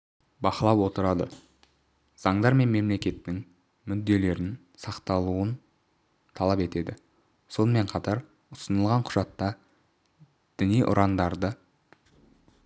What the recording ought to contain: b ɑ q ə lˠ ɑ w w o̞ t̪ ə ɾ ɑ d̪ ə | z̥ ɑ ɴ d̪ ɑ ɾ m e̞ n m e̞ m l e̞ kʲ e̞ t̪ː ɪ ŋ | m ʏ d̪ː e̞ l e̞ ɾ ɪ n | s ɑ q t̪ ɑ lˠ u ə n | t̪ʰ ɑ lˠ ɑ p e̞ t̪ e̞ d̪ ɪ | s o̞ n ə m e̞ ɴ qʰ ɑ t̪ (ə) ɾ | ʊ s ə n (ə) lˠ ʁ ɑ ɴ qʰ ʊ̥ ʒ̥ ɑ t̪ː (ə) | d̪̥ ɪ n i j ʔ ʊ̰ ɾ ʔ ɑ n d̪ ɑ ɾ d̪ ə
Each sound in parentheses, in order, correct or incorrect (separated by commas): incorrect, correct, incorrect